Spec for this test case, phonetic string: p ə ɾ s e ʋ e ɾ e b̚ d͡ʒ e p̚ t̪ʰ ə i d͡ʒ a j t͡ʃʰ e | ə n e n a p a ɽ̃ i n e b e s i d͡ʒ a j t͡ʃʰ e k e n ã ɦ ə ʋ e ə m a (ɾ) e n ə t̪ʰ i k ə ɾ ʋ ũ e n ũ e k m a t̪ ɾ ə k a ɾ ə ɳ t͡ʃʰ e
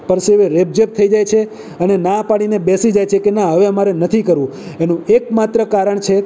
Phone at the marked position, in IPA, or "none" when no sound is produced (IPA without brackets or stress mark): ɾ